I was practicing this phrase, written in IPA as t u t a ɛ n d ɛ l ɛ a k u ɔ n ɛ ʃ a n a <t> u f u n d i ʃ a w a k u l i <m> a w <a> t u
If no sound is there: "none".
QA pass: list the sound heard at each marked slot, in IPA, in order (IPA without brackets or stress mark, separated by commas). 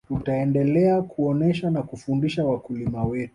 k, m, ɛ